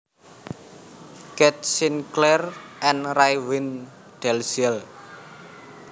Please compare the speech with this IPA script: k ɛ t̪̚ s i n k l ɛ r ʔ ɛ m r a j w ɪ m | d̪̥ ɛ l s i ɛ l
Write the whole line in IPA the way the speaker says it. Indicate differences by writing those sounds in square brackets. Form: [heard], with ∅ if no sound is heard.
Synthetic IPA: k ɛ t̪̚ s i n k l ɛ r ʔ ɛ [n] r a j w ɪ [n] | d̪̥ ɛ l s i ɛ l